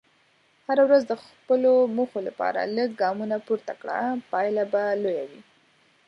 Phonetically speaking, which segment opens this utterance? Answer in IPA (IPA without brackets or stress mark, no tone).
h